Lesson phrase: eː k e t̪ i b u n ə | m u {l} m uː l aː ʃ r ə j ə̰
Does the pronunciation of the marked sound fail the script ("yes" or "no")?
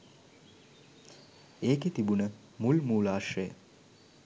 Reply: no